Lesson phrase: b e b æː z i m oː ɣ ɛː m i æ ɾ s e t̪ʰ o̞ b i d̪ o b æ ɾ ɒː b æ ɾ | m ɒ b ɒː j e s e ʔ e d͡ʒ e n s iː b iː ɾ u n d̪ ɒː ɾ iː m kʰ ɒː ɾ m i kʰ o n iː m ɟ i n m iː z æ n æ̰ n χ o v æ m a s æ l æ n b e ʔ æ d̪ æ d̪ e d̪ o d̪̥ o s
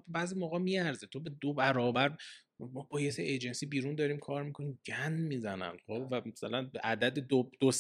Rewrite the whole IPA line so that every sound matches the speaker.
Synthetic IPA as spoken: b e b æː z i m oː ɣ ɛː m i æ ɾ z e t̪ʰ o̞ b e d̪ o b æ ɾ ɒː b æ ɾ | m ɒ b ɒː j e s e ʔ e d͡ʒ e n s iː b iː ɾ u n d̪ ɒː ɾ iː m kʰ ɒː ɾ m i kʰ o n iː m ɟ æ n m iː z æ n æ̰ n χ o v æ m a s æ l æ n b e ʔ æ d̪ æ d̪ e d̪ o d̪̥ o s